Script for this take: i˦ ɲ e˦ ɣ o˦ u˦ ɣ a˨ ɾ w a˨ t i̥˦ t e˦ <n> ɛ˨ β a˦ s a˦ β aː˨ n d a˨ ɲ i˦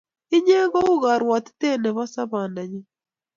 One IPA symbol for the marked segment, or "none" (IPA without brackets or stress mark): n